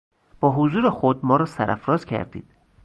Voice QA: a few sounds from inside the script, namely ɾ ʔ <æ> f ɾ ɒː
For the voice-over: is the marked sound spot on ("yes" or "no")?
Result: yes